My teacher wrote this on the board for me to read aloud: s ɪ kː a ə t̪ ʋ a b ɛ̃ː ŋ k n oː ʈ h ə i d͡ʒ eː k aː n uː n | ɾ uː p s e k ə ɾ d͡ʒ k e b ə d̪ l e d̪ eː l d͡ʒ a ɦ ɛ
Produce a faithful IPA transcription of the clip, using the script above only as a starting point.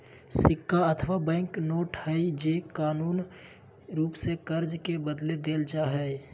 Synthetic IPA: s ɪ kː a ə t̪ʰ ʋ a b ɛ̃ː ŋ k n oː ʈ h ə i d͡ʒ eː k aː n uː n | ɾ uː p s e k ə ɾ d͡ʒ k e b ə d̪ l e d̪ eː l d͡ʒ a ɦ ɛ